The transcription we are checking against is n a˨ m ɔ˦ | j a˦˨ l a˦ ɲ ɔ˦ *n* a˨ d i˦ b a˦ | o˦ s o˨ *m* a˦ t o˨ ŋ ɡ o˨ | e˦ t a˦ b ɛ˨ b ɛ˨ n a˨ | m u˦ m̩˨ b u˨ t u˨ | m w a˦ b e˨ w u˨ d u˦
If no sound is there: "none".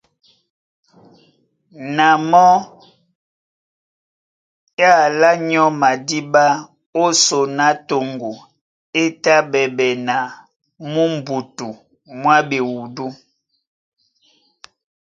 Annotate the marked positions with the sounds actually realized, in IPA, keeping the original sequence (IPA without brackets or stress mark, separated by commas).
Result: m, n